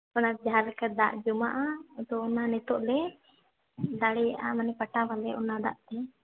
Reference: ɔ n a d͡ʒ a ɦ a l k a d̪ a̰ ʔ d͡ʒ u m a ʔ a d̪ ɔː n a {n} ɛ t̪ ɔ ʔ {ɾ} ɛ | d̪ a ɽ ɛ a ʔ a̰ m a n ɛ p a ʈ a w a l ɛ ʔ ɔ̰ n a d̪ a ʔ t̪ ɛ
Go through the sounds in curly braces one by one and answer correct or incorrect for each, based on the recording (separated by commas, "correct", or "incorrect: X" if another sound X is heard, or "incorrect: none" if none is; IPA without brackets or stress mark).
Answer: correct, incorrect: l